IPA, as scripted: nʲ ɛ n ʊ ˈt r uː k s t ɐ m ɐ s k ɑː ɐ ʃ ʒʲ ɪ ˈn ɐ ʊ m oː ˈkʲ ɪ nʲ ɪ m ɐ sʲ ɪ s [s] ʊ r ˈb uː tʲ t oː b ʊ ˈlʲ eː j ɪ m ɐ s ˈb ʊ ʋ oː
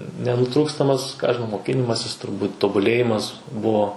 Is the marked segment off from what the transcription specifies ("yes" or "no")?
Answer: yes